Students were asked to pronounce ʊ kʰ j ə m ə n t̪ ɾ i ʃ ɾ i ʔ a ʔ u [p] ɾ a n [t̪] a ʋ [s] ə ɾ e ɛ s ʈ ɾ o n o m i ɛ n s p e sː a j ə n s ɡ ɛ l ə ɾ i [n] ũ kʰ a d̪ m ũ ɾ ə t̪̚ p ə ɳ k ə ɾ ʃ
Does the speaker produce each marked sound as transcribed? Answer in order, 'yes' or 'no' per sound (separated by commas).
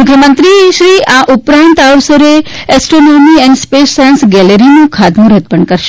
yes, yes, yes, yes